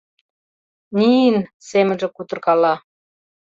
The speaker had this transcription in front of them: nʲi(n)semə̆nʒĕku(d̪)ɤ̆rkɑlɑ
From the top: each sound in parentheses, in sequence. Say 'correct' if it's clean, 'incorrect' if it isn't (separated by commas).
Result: correct, incorrect